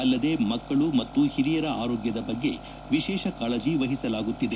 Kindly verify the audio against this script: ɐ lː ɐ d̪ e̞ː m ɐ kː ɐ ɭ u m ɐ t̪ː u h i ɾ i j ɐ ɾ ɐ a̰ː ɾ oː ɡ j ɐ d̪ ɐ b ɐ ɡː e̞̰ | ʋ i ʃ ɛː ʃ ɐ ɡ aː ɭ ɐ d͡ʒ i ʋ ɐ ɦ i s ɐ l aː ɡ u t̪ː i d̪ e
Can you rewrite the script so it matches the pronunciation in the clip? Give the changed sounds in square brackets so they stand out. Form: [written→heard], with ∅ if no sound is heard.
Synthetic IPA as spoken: ɐ lː ɐ d̪ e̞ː m ɐ kː ɐ ɭ u m ɐ t̪ː u h i ɾ i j ɐ ɾ ɐ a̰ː ɾ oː ɡ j ɐ d̪ ɐ b ɐ ɡː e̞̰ | ʋ i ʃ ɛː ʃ ɐ [ɡ→k] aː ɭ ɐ d͡ʒ i ʋ ɐ ɦ i s ɐ l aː ɡ u t̪ː i d̪ e